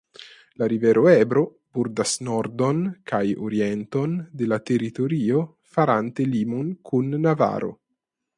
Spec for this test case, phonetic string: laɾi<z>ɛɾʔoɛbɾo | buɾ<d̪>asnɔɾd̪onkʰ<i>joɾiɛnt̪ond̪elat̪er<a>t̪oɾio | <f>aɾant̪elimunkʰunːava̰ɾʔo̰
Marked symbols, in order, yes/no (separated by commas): no, yes, no, no, yes